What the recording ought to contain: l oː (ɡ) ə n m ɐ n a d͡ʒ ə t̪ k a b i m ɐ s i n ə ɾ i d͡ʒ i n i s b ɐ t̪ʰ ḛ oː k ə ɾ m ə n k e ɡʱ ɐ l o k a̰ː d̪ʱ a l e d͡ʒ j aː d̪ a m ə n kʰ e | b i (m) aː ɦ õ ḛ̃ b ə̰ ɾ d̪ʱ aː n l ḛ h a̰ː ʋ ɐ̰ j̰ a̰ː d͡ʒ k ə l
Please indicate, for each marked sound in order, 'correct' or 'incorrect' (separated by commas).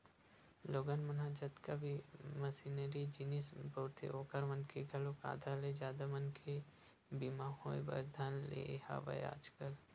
correct, correct